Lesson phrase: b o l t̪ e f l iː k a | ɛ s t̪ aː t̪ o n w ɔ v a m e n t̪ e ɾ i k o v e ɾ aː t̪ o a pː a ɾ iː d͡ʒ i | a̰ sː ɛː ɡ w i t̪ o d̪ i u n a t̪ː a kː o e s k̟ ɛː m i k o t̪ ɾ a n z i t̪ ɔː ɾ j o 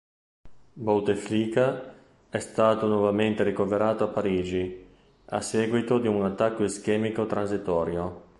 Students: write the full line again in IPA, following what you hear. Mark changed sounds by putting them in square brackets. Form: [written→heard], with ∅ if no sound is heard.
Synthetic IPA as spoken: b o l t̪ e f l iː k a | ɛ s t̪ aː t̪ o n w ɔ v a m e n t̪ e ɾ i k o v e ɾ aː t̪ o a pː a ɾ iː d͡ʒ i | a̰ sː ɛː ɡ w i t̪ o d̪ i u n a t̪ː a kː o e s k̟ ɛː m i k o t̪ ɾ a n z i t̪ ɔː ɾ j o